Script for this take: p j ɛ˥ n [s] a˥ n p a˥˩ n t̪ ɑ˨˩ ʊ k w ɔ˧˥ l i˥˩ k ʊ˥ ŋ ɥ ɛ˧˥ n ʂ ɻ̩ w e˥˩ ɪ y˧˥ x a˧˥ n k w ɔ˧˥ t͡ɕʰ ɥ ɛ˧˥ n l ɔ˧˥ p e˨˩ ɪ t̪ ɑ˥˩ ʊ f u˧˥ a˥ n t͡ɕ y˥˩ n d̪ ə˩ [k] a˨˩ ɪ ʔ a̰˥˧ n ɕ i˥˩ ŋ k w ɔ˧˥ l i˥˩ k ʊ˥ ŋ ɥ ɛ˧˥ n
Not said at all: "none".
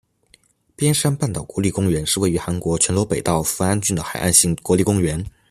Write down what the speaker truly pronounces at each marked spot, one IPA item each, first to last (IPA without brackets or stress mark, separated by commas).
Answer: ʂ, x